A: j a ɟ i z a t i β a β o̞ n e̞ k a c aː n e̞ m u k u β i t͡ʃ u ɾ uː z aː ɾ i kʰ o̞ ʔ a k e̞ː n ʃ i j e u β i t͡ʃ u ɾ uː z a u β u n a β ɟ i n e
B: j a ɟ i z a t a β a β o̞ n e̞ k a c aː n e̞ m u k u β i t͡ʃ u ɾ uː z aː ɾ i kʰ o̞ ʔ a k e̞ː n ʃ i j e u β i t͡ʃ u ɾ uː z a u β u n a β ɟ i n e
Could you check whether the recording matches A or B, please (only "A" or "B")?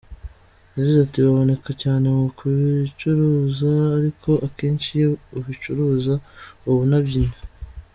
A